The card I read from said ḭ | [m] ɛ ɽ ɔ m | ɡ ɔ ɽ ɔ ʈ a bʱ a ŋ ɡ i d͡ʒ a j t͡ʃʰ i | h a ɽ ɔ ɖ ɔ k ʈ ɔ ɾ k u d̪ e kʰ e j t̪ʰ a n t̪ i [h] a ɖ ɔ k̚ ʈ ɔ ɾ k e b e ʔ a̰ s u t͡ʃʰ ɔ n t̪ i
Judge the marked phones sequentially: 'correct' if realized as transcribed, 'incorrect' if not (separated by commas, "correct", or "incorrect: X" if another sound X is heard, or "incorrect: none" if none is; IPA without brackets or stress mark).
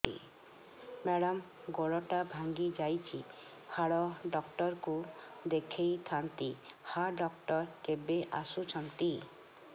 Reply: correct, correct